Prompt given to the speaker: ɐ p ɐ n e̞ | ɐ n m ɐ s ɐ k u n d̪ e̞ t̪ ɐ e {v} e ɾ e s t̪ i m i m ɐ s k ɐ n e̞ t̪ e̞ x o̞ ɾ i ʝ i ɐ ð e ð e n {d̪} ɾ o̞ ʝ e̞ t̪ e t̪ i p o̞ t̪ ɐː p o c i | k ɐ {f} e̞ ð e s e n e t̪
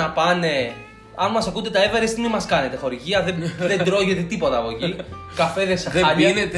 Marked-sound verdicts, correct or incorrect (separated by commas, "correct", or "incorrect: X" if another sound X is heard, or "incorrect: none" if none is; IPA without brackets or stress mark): correct, correct, correct